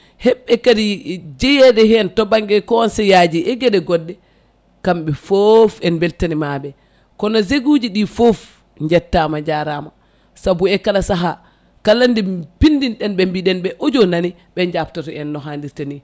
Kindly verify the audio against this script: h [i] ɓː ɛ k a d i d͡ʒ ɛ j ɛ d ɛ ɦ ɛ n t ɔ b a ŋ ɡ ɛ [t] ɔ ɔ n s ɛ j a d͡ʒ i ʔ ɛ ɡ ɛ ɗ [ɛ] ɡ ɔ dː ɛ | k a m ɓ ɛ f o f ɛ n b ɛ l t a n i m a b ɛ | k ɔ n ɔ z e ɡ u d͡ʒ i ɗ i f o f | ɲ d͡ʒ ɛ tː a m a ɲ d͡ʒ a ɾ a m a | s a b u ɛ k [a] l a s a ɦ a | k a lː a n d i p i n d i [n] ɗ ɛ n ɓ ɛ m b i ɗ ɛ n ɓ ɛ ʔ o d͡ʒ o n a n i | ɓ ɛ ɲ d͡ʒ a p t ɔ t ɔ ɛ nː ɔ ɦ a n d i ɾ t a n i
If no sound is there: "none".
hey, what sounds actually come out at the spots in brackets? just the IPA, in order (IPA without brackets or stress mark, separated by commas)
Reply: ɛ, k, ɛ, a, n